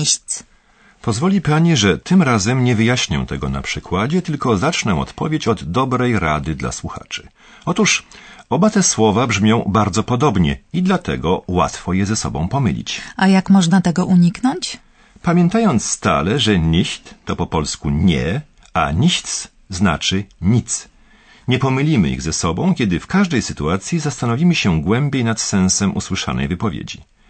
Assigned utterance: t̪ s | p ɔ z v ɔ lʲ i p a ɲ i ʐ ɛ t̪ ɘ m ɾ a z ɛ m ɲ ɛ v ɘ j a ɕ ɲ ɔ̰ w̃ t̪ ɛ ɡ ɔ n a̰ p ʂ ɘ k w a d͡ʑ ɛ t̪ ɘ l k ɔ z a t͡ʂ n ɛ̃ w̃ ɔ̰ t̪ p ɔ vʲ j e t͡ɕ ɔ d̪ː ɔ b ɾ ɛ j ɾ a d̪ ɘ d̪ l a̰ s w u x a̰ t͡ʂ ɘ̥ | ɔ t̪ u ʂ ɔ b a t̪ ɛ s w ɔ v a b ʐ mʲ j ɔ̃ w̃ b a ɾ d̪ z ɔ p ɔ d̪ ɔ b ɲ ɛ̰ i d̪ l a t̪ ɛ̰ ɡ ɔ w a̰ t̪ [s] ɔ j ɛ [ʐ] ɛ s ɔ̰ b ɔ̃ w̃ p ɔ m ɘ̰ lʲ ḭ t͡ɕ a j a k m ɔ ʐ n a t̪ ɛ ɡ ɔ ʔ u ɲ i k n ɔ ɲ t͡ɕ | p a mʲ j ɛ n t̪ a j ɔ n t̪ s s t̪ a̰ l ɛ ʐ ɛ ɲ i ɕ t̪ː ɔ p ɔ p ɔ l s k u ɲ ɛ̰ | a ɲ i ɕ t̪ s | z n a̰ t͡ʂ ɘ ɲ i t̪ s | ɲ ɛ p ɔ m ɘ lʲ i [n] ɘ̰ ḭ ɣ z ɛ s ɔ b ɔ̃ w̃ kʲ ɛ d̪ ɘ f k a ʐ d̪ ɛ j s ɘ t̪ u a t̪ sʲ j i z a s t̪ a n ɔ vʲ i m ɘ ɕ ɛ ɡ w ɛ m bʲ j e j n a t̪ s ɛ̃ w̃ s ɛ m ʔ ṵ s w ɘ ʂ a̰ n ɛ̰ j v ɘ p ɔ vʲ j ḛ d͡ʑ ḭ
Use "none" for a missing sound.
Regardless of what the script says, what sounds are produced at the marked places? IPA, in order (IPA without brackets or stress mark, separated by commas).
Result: f, z, m